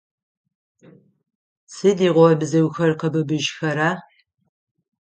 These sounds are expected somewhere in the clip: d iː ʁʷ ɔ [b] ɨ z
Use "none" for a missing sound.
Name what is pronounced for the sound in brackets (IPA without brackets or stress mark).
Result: b